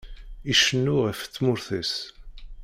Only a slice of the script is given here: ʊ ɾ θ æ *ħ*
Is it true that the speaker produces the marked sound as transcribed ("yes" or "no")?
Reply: no